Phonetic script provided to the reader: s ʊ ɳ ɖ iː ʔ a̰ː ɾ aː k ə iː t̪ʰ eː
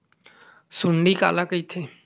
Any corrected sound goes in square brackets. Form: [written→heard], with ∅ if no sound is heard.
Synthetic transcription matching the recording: s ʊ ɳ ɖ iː [ʔ→k] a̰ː [ɾ→l] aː k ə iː t̪ʰ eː